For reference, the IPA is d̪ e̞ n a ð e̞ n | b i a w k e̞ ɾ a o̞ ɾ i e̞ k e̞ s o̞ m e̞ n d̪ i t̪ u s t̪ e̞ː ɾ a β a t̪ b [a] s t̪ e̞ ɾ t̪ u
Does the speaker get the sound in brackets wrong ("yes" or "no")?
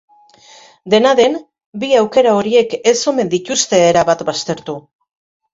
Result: no